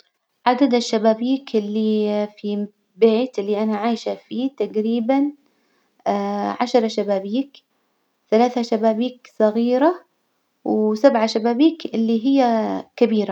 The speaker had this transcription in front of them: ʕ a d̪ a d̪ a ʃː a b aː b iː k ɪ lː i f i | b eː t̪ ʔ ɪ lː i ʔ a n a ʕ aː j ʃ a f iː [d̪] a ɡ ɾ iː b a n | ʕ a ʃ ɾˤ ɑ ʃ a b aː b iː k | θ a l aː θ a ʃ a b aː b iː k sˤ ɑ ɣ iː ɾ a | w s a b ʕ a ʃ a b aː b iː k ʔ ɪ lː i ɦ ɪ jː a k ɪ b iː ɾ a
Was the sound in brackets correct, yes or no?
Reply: no